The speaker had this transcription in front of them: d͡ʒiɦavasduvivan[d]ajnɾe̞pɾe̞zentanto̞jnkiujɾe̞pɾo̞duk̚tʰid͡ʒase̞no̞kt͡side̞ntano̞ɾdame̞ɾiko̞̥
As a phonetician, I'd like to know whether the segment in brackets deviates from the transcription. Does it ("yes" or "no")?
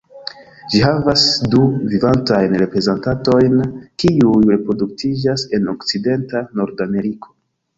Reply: yes